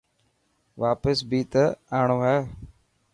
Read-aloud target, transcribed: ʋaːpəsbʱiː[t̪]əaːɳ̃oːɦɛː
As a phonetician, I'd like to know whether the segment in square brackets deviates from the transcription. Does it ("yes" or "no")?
no